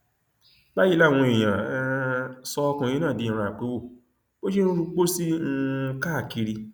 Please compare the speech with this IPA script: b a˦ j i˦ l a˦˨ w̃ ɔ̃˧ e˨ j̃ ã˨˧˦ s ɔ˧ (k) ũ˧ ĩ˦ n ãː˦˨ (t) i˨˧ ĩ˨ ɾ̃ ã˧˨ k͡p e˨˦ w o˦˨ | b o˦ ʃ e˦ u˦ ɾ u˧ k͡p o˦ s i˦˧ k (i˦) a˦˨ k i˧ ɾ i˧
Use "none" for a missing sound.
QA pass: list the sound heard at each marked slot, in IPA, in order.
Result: k, d, a˦

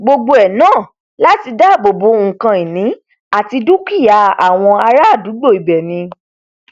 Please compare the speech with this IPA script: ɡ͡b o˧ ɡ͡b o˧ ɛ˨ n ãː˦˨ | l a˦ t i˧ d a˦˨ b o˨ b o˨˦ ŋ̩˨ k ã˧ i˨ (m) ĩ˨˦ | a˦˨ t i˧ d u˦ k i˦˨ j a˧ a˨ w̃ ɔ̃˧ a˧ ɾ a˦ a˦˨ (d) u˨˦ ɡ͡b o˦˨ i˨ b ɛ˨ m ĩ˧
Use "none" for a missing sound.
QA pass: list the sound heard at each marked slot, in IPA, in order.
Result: n, d

